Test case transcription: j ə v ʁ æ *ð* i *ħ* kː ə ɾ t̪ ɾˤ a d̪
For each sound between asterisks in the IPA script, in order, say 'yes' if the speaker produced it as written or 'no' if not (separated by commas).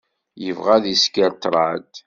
yes, no